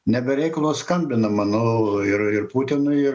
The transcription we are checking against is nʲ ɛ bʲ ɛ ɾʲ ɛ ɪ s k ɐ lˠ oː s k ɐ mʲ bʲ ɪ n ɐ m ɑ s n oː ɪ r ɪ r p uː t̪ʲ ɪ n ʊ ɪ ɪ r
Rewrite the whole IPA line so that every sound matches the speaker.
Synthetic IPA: nʲ ɛ bʲ ɛ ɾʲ ɛ ɪ k ɐ lˠ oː s k ɐ mʲ bʲ ɪ n ɐ m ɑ n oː ɪ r ɪ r p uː t̪ʲ ɪ n ʊ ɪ ɪ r